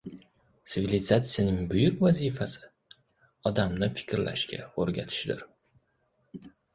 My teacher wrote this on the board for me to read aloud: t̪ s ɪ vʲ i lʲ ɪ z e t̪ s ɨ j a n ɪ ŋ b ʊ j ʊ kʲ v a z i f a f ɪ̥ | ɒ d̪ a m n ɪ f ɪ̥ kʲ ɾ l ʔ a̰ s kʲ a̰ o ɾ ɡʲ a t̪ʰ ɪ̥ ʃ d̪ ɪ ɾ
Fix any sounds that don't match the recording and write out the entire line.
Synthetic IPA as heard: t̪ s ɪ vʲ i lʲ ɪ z a t̪ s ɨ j a n ɪ ŋ b ʊ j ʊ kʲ v a z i f a s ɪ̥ | ɒ d̪ a m n ɪ f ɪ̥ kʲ ɾ l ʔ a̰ ʃ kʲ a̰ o ɾ ɡʲ a t̪ʰ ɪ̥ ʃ d̪ ɪ ɾ